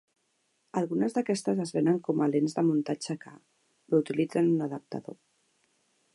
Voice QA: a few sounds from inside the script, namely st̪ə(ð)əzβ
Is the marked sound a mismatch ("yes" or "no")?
yes